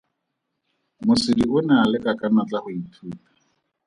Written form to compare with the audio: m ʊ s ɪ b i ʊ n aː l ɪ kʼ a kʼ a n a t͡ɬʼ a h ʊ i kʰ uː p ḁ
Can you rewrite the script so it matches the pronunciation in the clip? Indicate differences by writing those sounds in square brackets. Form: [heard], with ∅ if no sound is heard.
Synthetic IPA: m ʊ s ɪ [d] i ʊ n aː l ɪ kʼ a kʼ a n a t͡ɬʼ a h ʊ i [tʰ] uː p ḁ